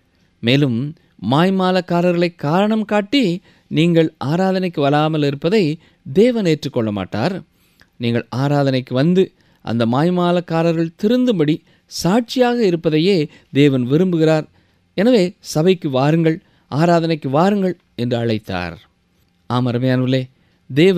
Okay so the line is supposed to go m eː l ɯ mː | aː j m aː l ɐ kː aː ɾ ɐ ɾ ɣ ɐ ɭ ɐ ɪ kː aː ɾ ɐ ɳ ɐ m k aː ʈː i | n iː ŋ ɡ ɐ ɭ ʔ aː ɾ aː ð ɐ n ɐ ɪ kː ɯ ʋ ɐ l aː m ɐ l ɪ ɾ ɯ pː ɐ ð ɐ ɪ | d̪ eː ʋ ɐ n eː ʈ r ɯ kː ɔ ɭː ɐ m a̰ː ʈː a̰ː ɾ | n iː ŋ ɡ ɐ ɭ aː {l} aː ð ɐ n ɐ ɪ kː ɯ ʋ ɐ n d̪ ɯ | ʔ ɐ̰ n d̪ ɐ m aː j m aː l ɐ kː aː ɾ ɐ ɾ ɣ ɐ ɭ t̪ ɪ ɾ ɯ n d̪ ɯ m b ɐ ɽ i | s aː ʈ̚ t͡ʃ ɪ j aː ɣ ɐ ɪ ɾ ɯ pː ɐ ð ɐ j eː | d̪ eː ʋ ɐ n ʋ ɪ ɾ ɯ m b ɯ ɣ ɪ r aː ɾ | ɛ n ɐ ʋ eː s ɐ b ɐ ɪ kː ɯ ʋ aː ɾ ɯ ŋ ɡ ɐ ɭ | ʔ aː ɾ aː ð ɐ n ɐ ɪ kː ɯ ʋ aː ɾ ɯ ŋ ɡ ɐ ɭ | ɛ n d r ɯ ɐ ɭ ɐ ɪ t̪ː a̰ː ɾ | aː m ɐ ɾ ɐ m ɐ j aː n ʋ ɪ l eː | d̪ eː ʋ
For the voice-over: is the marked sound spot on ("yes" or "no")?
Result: no